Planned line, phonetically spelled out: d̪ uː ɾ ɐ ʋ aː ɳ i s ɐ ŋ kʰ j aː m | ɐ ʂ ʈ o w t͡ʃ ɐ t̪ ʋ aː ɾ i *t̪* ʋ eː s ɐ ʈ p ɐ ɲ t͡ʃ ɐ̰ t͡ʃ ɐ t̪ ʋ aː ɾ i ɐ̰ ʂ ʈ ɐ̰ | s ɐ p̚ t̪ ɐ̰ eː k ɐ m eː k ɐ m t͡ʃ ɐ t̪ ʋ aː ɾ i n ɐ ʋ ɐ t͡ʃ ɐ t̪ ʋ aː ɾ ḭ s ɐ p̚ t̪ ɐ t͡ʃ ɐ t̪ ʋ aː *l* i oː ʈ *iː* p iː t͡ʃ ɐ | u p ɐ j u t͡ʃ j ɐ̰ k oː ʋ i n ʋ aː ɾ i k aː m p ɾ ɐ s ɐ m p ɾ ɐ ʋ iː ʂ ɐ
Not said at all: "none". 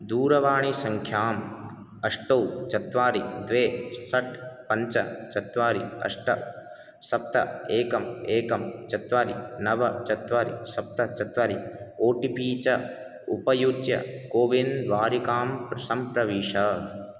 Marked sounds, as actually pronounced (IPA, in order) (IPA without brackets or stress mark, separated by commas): d̪, ɾ, i